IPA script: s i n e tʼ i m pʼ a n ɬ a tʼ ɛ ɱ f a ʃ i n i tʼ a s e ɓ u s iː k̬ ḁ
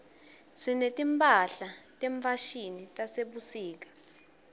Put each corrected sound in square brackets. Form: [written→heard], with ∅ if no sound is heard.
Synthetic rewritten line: s i n e tʼ i m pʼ a [n→∅] ɬ a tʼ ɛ ɱ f a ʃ i n i tʼ a s e ɓ u s iː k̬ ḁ